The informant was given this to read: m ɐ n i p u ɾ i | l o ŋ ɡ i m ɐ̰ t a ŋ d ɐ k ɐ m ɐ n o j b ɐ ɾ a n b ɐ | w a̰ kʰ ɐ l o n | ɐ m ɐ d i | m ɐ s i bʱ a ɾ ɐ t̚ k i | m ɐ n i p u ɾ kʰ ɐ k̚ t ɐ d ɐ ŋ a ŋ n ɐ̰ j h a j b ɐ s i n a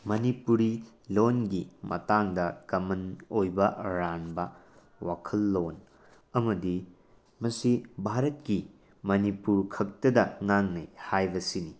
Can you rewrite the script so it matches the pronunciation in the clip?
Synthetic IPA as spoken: m ɐ n i p u ɾ i | l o n ɡ i m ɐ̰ t a ŋ d ɐ k ɐ m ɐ n o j b ɐ ɾ a n b ɐ | w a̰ kʰ ɐ lː o n | ɐ m ɐ d i | m ɐ s i bʱ a ɾ ɐ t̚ k i | m ɐ n i p u ɾ kʰ ɐ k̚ t ɐ d ɐ ŋ a ŋ n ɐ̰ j h a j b ɐ s i n i